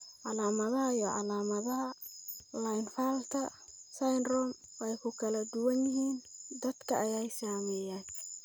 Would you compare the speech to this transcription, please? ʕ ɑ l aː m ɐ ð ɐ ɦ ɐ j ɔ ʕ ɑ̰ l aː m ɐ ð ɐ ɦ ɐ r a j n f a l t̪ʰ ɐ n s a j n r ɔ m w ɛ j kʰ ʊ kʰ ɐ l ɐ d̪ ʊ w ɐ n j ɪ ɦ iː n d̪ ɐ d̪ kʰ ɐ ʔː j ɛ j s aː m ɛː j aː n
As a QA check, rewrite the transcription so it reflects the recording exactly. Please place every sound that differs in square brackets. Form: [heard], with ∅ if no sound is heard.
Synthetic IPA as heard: ʕ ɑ l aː m ɐ ð ɐ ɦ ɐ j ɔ ʕ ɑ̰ l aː m ɐ ð ɐ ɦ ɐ [l] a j n f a l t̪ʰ ɐ [∅] s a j n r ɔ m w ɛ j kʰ ʊ kʰ ɐ l ɐ d̪ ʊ w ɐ n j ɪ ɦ iː n d̪ ɐ d̪ kʰ ɐ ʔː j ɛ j s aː m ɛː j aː n